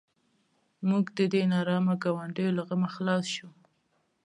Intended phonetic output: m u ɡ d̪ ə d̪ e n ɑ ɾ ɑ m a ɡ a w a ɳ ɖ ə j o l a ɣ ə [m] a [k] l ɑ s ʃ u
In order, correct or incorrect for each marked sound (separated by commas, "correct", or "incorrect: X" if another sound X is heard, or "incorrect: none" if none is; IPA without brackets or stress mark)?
correct, incorrect: x